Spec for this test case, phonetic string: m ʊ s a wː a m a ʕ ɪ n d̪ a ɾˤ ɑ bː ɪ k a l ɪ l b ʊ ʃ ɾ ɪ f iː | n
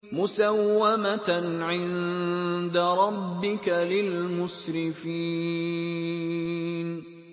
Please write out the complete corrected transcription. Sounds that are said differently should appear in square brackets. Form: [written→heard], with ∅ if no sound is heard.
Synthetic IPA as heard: m ʊ s a wː a m a ʕ ɪ n d̪ a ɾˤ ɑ bː ɪ k a l ɪ l [b→m] ʊ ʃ ɾ ɪ f iː | n